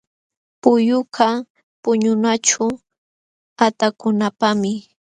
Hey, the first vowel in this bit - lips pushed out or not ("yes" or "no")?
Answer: yes